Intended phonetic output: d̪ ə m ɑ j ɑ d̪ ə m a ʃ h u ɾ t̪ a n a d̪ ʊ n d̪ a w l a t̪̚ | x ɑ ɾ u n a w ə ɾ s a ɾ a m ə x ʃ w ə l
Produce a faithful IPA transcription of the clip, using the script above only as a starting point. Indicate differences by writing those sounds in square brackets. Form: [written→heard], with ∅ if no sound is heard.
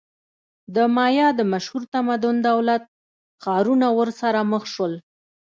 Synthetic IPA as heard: d̪ ə m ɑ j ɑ d̪ ə m a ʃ h u ɾ t̪ a [n→m] a d̪ ʊ n d̪ a w l a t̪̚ | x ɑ ɾ u n a w ə ɾ s a ɾ a m ə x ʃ w ə l